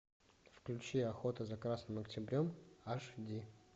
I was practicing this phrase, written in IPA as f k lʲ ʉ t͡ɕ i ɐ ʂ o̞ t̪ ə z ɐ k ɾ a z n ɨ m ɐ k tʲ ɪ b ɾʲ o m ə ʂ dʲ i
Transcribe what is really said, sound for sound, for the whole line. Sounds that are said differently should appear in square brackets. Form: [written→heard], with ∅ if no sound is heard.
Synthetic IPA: f k lʲ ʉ t͡ɕ i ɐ [ʂ→x] o̞ t̪ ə z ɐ k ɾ a [z→s] n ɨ m ɐ k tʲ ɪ b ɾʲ o m [ə→a] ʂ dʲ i